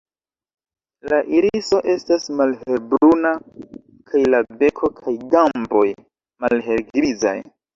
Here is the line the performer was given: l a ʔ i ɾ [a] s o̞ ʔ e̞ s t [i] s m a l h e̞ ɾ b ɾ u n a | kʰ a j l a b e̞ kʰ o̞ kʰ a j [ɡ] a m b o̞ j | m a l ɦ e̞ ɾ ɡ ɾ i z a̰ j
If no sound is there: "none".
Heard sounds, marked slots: i, a, ɡ

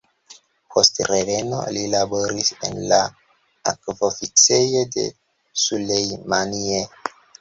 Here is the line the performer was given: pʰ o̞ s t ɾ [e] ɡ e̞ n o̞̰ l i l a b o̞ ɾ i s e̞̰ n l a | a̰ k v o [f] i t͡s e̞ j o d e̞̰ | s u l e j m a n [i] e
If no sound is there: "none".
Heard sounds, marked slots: e, f, i

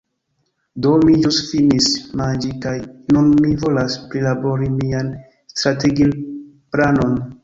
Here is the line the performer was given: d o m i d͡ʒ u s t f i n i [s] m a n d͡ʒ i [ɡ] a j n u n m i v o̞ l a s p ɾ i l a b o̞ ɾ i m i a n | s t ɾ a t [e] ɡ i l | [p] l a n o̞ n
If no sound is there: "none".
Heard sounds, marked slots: s, k, e, p

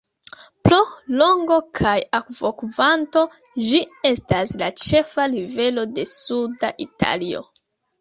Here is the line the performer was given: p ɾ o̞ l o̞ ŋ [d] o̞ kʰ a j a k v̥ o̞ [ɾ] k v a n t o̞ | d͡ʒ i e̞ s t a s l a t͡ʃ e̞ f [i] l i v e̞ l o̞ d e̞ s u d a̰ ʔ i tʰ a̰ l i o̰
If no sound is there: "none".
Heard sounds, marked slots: ɡ, none, a

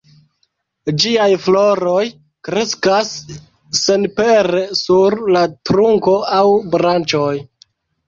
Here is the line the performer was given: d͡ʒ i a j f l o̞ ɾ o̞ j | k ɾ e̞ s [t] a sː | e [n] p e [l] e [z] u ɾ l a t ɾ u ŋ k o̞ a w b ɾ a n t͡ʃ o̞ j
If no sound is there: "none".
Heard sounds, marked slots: k, n, ɾ, s

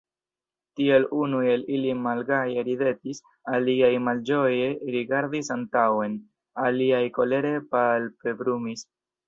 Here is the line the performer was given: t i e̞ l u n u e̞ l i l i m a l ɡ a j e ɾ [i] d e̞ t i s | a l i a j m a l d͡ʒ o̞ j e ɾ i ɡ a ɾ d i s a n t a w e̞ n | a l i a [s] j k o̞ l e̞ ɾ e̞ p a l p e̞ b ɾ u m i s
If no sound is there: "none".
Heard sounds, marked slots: i, none

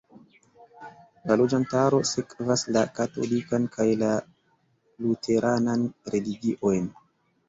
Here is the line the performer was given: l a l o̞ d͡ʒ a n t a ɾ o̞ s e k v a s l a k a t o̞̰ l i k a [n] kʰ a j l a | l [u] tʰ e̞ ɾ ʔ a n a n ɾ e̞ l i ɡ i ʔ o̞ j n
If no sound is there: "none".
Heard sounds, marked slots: n, u

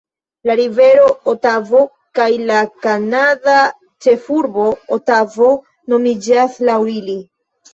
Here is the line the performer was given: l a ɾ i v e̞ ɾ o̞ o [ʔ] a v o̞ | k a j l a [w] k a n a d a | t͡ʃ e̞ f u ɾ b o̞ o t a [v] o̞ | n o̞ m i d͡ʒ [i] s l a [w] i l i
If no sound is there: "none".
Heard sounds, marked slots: t, none, v, a, w

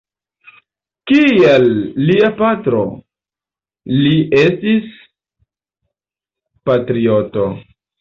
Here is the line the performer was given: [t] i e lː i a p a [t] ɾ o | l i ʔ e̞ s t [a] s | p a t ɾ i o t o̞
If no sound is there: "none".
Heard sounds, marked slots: k, t, i

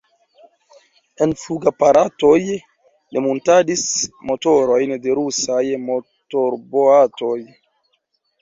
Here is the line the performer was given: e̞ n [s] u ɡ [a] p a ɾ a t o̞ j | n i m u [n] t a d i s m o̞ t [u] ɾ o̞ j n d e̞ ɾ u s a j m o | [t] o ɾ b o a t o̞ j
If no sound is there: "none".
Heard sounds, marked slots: f, a, n, o, t

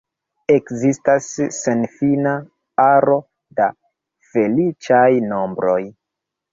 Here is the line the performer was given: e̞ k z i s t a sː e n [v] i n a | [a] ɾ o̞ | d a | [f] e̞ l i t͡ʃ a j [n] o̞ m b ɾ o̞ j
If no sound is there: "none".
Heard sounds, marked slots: f, a, f, n

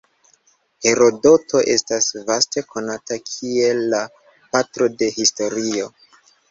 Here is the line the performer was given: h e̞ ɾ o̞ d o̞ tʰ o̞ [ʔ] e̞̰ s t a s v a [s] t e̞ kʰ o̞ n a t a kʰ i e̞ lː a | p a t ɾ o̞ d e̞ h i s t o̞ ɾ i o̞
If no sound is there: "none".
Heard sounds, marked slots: ʔ, s

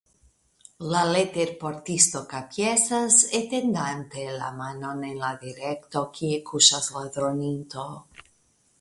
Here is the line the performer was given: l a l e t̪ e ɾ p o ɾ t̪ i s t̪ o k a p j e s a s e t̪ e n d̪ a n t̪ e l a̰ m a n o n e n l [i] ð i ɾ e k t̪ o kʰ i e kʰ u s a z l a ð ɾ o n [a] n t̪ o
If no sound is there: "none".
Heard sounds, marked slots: a, i

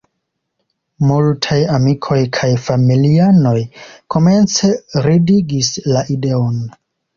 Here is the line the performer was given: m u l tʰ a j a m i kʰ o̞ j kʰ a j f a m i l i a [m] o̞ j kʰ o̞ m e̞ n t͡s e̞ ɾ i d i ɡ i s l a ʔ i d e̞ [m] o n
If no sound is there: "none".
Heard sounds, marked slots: n, none

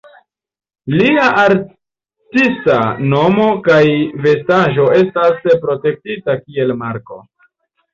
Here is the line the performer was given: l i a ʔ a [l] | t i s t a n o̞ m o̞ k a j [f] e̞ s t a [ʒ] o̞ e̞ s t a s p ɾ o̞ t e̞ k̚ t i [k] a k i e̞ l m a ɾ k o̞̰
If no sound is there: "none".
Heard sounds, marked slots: ɾ, v, ʒ, t

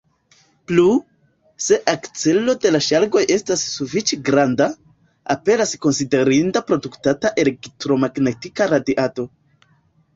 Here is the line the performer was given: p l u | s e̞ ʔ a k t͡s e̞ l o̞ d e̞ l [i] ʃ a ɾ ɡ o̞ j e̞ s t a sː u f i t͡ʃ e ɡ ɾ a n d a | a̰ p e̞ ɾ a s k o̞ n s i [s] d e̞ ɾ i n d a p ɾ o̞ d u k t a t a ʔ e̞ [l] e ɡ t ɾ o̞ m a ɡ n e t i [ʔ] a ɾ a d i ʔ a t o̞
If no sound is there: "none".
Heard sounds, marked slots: a, none, l, k

